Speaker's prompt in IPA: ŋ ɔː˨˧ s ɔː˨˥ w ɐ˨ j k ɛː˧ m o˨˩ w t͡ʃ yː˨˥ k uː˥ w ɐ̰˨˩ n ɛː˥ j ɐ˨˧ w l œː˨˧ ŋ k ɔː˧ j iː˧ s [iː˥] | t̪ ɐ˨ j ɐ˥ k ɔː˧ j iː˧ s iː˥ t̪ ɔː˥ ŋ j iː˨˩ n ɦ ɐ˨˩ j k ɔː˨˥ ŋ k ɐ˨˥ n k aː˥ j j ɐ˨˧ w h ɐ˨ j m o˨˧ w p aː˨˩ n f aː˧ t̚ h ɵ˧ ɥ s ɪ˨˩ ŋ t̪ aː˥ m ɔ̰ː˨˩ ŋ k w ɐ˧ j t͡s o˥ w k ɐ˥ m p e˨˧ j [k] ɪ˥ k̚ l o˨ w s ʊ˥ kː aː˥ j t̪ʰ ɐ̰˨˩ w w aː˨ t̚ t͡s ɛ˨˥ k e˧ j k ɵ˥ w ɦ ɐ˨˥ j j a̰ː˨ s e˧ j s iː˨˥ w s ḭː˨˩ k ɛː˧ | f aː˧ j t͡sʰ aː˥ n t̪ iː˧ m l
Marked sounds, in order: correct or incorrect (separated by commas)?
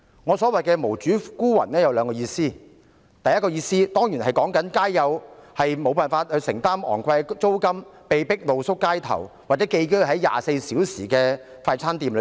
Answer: correct, incorrect